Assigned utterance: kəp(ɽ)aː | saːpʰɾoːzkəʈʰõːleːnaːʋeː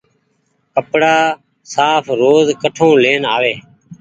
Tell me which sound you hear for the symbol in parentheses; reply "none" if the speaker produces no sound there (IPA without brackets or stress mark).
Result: ɽ